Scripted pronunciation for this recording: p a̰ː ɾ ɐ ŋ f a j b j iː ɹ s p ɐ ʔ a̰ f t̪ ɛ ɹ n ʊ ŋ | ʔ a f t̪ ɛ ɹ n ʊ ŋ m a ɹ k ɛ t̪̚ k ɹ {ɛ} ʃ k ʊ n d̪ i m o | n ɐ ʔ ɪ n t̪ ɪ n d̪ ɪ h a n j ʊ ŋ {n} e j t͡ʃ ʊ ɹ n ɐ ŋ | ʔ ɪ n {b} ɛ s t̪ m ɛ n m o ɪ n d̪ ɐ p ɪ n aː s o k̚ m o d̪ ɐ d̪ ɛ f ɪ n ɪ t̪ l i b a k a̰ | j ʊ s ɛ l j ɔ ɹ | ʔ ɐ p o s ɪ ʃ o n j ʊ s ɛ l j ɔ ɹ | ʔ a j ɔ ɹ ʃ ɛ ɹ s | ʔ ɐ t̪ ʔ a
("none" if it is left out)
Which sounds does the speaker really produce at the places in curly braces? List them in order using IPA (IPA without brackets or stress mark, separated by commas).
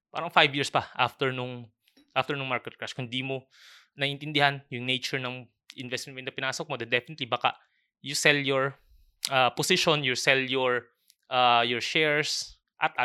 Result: a, n, v